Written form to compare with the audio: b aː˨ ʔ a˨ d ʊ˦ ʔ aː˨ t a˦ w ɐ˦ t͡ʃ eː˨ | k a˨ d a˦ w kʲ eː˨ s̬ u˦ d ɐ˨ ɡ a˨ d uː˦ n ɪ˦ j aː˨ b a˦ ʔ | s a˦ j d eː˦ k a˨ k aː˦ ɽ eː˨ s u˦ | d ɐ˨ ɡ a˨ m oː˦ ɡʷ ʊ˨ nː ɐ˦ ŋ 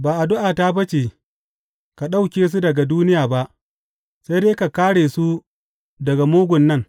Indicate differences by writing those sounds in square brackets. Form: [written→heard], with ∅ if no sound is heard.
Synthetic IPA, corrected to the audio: b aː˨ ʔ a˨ d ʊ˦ ʔ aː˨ t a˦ [w→b] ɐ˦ t͡ʃ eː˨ | k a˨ [d→ɗ] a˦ w kʲ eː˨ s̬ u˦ d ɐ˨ ɡ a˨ d uː˦ n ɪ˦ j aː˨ b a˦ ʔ | s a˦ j d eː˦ k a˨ k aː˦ ɽ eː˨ s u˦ | d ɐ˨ ɡ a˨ m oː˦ ɡʷ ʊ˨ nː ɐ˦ ŋ